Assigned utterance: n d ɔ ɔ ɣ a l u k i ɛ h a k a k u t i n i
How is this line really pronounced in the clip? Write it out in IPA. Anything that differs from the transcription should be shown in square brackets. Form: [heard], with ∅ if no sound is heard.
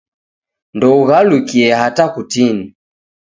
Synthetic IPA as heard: n d ɔ [u] ɣ a l u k i ɛ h a [t] a k u t i n i

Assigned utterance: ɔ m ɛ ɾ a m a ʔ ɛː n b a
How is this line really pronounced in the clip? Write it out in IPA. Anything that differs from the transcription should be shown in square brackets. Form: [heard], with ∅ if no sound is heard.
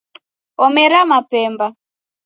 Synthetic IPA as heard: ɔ m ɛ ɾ a m a [p] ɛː [m] b a

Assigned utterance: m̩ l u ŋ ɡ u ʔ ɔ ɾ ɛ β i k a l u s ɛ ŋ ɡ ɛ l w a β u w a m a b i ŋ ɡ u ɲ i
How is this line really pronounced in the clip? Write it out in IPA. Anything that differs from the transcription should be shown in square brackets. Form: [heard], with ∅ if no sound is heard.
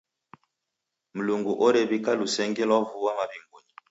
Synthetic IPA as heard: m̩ l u ŋ ɡ u ʔ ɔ ɾ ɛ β i k a l u s ɛ ŋ ɡ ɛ l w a [v] u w a m a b i ŋ ɡ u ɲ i

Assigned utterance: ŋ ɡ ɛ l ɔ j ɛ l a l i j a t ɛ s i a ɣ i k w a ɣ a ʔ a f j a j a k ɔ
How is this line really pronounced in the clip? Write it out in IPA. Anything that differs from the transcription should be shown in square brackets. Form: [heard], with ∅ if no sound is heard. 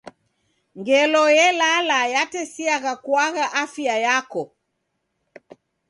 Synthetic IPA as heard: ŋ ɡ ɛ l ɔ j ɛ l a l [a] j a t ɛ s i a ɣ [a] k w a ɣ a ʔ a f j a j a k ɔ

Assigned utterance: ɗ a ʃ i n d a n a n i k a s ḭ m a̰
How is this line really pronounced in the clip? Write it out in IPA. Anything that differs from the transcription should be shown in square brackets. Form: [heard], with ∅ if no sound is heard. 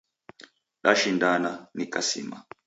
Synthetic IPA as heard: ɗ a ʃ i n d a n a n i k a s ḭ m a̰

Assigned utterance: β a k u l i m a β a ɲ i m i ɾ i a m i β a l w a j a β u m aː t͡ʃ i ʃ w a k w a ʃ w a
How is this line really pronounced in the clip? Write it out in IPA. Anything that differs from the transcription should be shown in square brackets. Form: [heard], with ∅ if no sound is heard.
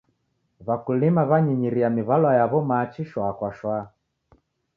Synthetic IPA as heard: β a k u l i m a β a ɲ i [ɲ] i ɾ i a m i β a l w a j a β [ɔ] m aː t͡ʃ i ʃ w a k w a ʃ w a

